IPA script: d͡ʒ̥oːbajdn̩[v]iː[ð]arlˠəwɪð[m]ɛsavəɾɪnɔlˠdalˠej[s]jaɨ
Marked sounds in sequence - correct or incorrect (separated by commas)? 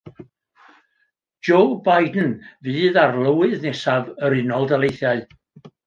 correct, correct, incorrect, incorrect